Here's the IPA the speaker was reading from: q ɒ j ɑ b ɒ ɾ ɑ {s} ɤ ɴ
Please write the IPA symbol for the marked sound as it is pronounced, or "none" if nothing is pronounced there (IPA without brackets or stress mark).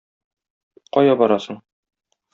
s